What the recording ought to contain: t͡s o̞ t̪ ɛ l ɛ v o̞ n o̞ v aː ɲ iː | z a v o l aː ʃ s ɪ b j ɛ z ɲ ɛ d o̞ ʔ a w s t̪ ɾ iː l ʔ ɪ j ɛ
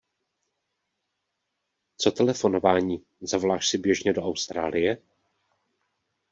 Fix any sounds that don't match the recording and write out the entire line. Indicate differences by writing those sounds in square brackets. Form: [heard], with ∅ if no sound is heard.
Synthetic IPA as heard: t͡s o̞ t̪ ɛ l ɛ [f] o̞ n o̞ v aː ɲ iː | z a v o l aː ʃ s ɪ b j ɛ [ʒ] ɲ ɛ d o̞ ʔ a w s t̪ ɾ [aː] l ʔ ɪ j ɛ

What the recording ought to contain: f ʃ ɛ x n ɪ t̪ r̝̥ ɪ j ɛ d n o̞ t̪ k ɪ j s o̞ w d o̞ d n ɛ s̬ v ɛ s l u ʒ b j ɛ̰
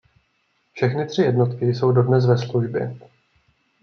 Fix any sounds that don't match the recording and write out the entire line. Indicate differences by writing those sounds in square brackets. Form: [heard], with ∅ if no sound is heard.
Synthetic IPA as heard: f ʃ ɛ x n ɪ t̪ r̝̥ ɪ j ɛ d n o̞ t̪ k ɪ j s o̞ w d o̞ d n ɛ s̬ v ɛ s l u ʒ b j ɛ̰

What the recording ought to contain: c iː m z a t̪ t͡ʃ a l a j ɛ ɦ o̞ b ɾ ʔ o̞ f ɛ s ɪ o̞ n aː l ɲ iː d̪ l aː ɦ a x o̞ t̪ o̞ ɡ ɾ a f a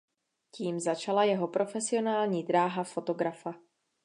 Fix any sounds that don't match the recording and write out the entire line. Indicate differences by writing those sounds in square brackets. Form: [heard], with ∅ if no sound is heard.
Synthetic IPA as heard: c iː m z a [∅] t͡ʃ a l a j ɛ ɦ o̞ [p] ɾ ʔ o̞ f ɛ s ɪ o̞ n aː l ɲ iː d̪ [ɾ] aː ɦ a [f] o̞ t̪ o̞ ɡ ɾ a f a

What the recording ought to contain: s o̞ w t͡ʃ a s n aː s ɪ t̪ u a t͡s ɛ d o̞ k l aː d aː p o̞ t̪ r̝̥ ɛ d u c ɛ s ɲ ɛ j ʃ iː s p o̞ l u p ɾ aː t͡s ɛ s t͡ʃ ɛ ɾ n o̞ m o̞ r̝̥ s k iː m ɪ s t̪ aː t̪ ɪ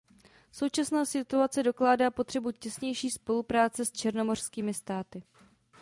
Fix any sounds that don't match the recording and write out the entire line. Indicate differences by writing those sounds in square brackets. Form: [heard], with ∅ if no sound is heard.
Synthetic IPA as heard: s o̞ w t͡ʃ a s n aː s ɪ t̪ u a t͡s ɛ d o̞ k l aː d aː p o̞ t̪ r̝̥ ɛ [b] u c ɛ s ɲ ɛ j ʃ iː s p o̞ l u p ɾ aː t͡s ɛ s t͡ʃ ɛ ɾ n o̞ m o̞ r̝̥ s k iː m ɪ s t̪ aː t̪ ɪ

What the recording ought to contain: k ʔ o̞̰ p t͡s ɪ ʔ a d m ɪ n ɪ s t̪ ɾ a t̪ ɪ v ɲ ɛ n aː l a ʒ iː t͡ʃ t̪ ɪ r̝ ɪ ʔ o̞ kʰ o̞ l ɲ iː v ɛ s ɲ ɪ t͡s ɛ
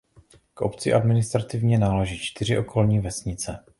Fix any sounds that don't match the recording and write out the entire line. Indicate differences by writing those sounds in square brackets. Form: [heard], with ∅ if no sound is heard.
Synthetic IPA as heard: k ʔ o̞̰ p t͡s ɪ ʔ a d m ɪ n ɪ s t̪ ɾ a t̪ ɪ v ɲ ɛ n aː l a ʒ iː t͡ʃ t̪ ɪ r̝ ɪ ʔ o̞ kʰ o̞ l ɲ iː v ɛ s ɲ ɪ t͡s ɛ

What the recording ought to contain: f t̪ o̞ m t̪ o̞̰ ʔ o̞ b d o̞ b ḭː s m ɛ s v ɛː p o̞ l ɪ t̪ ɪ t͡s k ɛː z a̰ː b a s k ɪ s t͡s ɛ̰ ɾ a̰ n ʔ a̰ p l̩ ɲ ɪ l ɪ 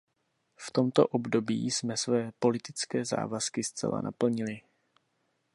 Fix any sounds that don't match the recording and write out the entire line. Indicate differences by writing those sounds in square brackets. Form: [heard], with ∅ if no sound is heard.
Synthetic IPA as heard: f t̪ o̞ m t̪ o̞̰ ʔ o̞ b d o̞ b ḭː s m ɛ s v ɛː p o̞ l ɪ t̪ ɪ t͡s k ɛː z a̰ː [v] a s k ɪ s t͡s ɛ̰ [l] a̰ n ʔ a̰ p l̩ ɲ ɪ l ɪ

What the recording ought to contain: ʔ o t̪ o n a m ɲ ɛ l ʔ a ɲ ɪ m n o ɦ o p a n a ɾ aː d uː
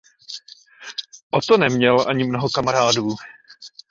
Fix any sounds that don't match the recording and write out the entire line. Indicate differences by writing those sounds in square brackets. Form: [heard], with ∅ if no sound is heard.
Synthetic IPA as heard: ʔ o t̪ o n [ɛ] m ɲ ɛ l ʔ a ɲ ɪ m n o ɦ o [k] a [m] a ɾ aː d uː

